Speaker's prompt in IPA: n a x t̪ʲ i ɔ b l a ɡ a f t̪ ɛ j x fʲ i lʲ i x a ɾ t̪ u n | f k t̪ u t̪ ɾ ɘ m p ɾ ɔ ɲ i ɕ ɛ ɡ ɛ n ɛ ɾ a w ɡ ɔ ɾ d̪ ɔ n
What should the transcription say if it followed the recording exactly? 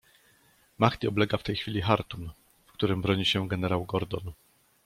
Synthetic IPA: m a x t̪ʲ i ɔ b l ɛ ɡ a f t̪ ɛ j x fʲ i lʲ i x a ɾ t̪ u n | f k t̪ u ɾ ɘ m b ɾ ɔ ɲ i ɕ ɛ ɡ ɛ n ɛ ɾ a w ɡ ɔ ɾ d̪ ɔ n

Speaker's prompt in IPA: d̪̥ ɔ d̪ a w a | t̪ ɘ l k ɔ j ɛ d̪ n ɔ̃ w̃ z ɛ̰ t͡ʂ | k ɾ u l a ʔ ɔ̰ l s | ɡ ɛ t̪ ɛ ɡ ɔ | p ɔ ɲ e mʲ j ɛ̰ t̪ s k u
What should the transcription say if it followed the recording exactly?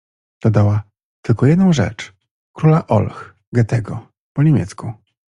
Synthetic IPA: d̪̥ ɔ d̪ a w a | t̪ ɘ l k ɔ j ɛ d̪ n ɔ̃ w̃ ʐ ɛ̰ t͡ʂ | k ɾ u l a ʔ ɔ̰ l x | ɡ ɛ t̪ ɛ ɡ ɔ | p ɔ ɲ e mʲ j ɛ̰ t̪ s k u

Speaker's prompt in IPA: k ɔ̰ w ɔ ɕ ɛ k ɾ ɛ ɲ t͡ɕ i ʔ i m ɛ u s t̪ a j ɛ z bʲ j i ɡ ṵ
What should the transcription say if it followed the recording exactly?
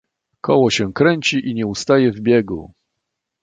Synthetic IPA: k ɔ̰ w ɔ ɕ ɛ k ɾ ɛ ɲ t͡ɕ i ʔ i ɲ ɛ u s t̪ a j ɛ v bʲ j ɛ ɡ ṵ

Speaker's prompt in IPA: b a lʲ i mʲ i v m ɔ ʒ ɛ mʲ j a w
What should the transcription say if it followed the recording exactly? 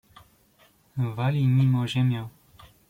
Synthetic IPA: v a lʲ i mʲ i m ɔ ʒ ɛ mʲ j a w

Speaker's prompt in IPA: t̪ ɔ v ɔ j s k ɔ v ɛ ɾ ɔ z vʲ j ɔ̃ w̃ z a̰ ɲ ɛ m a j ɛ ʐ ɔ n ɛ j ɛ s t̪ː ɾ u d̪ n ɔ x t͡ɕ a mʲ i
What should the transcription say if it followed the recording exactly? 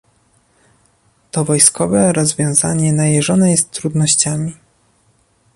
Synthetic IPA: t̪ ɔ v ɔ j s k ɔ v ɛ ɾ ɔ z vʲ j ɔ̃ w̃ z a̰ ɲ ɛ n a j ɛ ʐ ɔ n ɛ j ɛ s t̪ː ɾ u d̪ n ɔ ɕ t͡ɕ a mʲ i

